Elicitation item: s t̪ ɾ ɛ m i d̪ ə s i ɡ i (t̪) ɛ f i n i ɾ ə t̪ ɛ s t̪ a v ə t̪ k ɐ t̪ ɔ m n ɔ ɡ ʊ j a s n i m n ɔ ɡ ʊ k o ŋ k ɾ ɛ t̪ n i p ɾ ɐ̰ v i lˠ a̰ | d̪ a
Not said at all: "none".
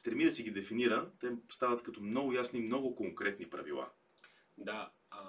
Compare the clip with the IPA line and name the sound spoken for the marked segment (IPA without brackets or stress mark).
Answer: d̪